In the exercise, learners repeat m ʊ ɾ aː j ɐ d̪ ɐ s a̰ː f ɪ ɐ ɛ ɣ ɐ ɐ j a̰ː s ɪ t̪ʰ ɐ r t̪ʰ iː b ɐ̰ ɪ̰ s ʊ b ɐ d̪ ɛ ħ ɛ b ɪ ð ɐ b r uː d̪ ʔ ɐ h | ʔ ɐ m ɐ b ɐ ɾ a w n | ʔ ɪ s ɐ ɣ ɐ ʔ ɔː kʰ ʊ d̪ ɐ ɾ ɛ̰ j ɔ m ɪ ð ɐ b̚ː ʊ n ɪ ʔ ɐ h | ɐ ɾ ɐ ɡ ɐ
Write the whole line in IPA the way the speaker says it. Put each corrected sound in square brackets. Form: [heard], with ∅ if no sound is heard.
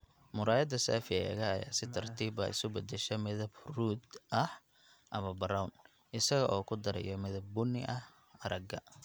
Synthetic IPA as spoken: m ʊ ɾ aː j ɐ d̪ ɐ s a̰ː f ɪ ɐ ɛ ɣ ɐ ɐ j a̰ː s ɪ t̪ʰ ɐ r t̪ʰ iː b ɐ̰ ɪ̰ s ʊ b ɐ d̪ ɛ [ʃ] ɛ [m] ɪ ð ɐ b r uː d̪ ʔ ɐ h | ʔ ɐ m ɐ b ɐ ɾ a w n | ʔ ɪ s ɐ ɣ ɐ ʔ ɔː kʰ ʊ d̪ ɐ ɾ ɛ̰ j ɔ m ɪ ð ɐ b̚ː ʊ n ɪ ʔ ɐ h | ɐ ɾ ɐ ɡ ɐ